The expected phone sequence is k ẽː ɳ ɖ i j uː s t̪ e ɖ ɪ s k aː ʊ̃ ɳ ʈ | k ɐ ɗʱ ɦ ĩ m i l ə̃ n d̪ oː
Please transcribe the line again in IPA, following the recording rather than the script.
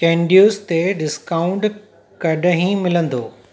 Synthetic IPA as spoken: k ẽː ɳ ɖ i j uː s t̪ e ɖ ɪ s k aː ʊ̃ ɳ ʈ | k ɐ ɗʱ ɦ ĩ m ɪ l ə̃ n d̪ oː